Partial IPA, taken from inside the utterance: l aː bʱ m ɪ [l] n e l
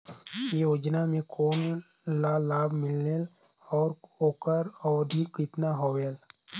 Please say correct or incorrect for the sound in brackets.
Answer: correct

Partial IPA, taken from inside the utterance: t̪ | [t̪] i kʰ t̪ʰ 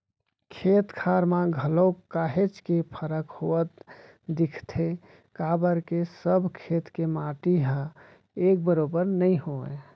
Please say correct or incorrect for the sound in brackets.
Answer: incorrect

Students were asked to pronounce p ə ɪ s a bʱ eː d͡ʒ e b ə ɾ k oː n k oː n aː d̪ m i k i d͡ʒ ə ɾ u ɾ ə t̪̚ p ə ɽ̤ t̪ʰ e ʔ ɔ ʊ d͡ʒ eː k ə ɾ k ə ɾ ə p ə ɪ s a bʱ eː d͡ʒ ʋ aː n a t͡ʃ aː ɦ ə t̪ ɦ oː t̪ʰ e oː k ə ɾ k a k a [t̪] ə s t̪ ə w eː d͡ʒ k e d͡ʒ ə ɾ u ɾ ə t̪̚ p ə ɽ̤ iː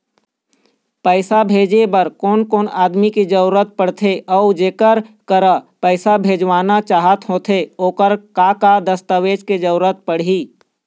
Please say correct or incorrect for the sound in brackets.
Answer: incorrect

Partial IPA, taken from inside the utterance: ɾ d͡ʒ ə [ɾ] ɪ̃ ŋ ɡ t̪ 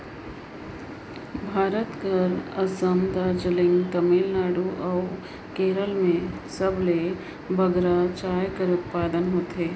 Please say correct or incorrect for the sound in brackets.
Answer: incorrect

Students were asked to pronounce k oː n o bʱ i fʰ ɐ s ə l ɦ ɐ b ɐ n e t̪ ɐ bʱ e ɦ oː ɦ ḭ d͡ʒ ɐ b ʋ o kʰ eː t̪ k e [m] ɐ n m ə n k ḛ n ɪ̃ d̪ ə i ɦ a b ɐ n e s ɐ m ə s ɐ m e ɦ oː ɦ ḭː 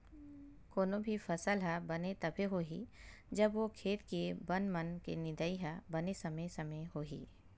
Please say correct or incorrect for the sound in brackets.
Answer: incorrect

